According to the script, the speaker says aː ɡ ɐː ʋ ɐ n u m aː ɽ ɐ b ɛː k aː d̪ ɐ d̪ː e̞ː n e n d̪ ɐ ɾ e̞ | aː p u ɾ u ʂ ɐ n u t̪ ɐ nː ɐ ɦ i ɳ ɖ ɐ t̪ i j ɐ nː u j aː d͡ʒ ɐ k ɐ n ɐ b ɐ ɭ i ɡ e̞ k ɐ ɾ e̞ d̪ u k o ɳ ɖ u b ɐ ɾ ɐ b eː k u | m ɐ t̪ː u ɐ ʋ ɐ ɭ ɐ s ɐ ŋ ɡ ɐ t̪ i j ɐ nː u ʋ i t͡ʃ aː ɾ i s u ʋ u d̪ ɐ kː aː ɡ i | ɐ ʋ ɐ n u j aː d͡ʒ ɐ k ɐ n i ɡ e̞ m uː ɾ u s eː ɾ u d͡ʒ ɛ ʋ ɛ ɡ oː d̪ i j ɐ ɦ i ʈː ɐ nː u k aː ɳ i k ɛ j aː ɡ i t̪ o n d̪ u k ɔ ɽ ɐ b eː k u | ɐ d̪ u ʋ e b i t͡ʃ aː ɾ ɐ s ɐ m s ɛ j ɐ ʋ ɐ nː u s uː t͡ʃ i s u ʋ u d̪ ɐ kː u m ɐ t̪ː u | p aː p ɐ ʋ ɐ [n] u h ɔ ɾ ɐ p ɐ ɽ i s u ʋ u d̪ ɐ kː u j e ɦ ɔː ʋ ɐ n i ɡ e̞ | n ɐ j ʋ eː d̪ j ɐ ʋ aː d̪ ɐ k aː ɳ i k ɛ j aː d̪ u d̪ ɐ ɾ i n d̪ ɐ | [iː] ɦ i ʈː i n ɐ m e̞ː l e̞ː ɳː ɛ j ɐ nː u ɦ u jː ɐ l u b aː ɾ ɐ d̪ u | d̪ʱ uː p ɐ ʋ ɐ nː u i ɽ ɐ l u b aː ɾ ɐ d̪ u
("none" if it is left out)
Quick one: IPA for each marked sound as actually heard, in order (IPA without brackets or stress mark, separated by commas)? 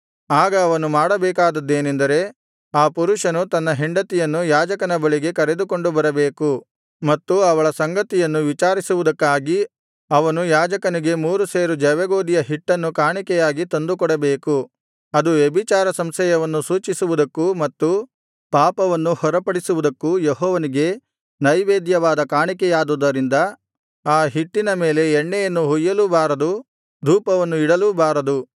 nː, aː